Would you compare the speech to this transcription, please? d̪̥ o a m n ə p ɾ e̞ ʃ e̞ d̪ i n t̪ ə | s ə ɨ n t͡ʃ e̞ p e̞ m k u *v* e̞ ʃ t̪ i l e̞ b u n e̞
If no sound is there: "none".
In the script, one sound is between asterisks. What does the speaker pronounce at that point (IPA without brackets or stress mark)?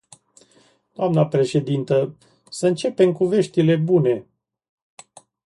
v